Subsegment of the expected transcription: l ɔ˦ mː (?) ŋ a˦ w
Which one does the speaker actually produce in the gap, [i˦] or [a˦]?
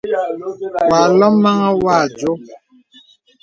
a˦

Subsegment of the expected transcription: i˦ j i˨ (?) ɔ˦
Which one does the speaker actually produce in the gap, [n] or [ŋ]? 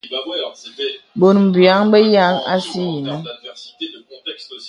n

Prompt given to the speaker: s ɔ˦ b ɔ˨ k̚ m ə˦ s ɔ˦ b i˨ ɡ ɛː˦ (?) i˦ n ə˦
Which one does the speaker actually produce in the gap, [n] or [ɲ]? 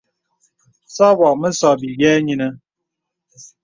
ɲ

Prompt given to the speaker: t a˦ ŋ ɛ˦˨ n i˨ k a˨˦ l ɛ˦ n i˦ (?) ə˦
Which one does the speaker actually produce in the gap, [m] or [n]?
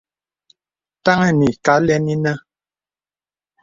n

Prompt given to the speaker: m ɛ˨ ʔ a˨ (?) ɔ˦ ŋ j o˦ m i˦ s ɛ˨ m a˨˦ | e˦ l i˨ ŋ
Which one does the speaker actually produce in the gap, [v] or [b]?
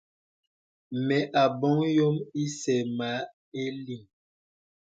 b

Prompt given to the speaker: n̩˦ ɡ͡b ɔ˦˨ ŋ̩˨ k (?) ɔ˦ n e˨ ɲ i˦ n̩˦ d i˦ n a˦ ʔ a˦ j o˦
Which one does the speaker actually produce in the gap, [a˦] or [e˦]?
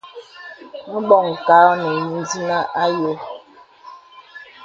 a˦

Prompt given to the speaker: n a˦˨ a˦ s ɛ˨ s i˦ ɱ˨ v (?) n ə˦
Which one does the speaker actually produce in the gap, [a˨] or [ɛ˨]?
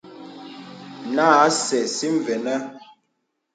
ɛ˨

